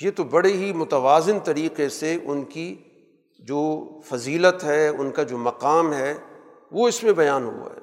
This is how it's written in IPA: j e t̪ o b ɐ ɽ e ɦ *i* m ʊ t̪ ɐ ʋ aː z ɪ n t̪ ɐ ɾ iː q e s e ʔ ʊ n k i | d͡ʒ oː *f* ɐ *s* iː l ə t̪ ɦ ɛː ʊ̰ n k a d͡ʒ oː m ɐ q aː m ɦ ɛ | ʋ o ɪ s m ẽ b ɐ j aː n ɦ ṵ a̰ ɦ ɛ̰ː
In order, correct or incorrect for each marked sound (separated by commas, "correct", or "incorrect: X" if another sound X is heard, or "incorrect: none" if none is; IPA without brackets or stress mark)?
correct, correct, incorrect: z